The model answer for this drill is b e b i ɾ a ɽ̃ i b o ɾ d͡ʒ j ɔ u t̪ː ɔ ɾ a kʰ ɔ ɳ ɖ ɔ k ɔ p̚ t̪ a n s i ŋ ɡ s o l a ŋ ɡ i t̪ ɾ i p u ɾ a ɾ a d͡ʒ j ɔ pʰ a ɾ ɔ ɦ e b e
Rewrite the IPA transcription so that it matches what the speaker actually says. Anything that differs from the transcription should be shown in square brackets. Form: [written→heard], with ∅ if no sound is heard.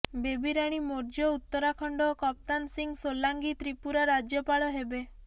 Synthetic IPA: b e b i ɾ a ɽ̃ i [b→m] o ɾ d͡ʒ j ɔ u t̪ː ɔ ɾ a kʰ ɔ ɳ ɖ ɔ k ɔ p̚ t̪ a n s i ŋ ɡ s o l a ŋ ɡ i t̪ ɾ i p u ɾ a ɾ a d͡ʒ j ɔ [pʰ→p] a [ɾ→ɭ] ɔ ɦ e b e